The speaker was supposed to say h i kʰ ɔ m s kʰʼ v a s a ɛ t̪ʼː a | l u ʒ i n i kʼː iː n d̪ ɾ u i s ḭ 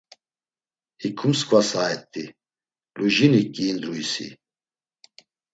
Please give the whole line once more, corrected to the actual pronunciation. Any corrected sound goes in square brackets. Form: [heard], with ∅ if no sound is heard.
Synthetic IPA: h i kʰ [u] m s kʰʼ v a s a ɛ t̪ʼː [i] | l u ʒ i n i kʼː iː n d̪ ɾ u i s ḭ